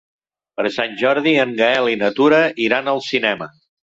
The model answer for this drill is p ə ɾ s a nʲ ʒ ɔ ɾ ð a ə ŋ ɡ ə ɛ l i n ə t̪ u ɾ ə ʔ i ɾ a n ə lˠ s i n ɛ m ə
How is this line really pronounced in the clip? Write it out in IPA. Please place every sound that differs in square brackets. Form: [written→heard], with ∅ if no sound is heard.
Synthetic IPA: p ə ɾ s a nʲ ʒ ɔ ɾ ð [a→i] ə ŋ ɡ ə ɛ l i n ə t̪ u ɾ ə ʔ i ɾ a n ə lˠ s i n ɛ m ə